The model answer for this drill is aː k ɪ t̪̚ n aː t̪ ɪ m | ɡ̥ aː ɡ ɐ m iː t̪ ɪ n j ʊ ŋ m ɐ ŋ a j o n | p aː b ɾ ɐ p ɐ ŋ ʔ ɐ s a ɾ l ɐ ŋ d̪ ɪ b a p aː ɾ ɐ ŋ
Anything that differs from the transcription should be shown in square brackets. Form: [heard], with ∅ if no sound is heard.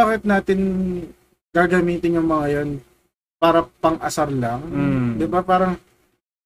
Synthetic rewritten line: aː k ɪ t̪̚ n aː t̪ ɪ [n] | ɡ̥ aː ɡ ɐ m iː t̪ ɪ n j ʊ ŋ m ɐ ŋ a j o n | p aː [∅] ɾ ɐ p ɐ ŋ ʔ ɐ s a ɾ l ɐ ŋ d̪ ɪ b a p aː ɾ ɐ ŋ